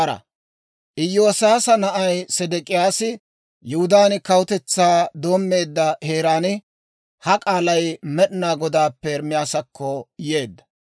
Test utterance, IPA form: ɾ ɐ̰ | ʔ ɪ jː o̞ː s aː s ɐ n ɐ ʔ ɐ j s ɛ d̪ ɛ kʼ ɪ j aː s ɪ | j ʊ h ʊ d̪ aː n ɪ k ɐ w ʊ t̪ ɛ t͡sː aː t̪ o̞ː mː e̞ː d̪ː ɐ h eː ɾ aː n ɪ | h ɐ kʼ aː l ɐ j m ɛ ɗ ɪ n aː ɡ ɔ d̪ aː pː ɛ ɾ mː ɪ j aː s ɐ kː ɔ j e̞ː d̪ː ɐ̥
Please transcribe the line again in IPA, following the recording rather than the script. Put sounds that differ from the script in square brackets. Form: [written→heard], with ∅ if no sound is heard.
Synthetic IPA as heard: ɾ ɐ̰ | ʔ ɪ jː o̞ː s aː s ɐ n ɐ ʔ ɐ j s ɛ d̪ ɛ kʼ ɪ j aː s ɪ | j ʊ h ʊ d̪ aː n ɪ k ɐ w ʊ t̪ ɛ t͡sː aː [t̪→d̪] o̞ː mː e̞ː d̪ː ɐ h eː ɾ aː n ɪ | h ɐ kʼ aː l ɐ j m ɛ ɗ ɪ n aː ɡ ɔ d̪ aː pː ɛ ɾ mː ɪ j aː s ɐ kː ɔ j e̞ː d̪ː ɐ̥